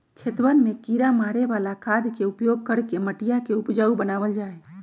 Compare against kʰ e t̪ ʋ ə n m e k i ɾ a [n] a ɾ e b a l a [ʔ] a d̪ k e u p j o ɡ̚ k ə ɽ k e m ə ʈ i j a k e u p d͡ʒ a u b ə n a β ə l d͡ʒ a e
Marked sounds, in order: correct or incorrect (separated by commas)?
incorrect, incorrect